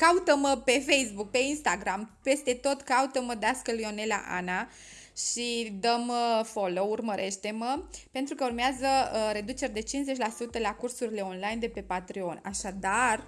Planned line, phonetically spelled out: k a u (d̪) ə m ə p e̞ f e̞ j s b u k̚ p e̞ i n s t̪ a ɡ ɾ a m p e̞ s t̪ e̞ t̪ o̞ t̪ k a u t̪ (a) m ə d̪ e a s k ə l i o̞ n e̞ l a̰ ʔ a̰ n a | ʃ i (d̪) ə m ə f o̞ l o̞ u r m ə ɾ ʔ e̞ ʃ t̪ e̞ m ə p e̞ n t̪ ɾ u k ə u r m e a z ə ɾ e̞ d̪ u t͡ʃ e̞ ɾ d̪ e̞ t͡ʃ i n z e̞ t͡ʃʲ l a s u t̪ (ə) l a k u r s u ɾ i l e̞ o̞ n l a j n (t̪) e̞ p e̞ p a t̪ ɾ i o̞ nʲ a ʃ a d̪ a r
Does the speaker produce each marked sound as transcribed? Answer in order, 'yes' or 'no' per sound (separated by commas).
no, no, yes, yes, no